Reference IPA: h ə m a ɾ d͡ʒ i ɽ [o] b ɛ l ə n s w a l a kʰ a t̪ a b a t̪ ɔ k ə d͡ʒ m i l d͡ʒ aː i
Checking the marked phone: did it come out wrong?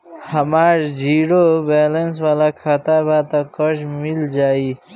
no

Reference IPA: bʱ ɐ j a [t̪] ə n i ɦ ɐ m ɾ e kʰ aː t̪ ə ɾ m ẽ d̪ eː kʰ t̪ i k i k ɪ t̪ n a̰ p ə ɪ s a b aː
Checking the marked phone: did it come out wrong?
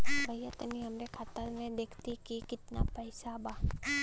no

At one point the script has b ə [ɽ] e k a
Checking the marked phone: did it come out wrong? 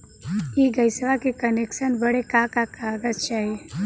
no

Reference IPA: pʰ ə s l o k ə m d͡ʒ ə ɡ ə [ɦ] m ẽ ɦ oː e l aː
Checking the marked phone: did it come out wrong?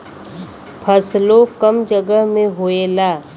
no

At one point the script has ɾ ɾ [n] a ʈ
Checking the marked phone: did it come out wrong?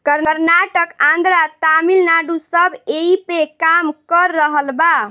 no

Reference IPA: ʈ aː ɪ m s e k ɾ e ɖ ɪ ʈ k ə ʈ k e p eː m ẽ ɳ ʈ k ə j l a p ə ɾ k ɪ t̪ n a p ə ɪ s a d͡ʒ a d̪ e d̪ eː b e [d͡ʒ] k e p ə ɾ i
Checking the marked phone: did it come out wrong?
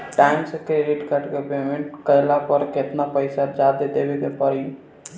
yes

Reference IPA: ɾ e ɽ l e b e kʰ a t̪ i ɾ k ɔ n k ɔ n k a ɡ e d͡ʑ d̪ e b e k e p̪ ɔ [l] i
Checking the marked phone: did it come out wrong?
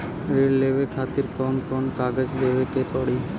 yes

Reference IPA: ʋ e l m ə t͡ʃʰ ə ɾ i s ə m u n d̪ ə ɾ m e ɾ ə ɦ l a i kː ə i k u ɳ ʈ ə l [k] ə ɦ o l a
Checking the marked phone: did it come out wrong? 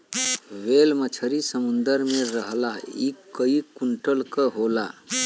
no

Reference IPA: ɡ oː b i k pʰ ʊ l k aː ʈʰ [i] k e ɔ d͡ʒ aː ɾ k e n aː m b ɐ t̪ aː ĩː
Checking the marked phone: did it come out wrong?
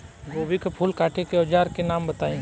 yes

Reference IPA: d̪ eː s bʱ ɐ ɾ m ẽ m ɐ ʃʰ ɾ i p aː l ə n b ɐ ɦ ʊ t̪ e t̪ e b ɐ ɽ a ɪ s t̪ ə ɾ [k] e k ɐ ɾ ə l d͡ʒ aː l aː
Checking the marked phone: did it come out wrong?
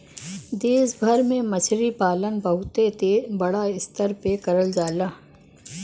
yes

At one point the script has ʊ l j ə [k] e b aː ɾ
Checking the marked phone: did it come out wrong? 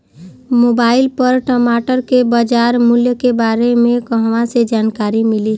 no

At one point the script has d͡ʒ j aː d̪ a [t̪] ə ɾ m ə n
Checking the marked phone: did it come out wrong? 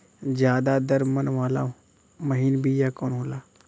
yes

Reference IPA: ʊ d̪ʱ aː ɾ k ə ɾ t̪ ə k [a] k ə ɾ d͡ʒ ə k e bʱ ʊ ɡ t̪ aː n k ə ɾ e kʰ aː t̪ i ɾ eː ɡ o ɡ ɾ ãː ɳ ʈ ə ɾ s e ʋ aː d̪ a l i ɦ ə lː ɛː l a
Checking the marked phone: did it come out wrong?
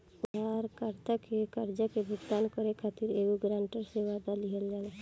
yes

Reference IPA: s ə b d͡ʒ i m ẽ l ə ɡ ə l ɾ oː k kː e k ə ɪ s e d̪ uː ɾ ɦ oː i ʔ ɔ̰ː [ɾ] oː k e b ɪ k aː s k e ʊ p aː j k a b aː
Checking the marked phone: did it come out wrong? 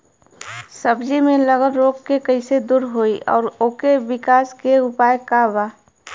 no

